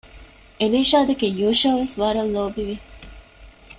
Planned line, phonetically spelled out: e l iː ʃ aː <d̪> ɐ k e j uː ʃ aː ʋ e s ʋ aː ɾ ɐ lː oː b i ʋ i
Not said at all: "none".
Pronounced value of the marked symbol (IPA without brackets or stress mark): d̪